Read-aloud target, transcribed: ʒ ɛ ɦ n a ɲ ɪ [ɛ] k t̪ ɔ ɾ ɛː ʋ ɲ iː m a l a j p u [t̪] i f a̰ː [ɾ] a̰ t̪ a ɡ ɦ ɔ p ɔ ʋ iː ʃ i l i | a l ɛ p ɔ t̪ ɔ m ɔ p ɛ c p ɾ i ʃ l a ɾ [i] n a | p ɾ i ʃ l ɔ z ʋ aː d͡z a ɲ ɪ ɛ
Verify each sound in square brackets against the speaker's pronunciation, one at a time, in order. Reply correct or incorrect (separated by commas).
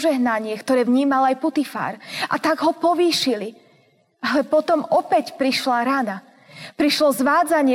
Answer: correct, correct, correct, incorrect